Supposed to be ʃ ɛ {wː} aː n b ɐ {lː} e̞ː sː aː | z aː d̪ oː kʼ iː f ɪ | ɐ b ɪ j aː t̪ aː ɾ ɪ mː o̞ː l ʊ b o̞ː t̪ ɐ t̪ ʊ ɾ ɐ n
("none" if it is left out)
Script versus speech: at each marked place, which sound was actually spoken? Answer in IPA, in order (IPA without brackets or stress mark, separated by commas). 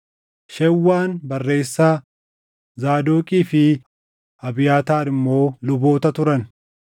wː, rː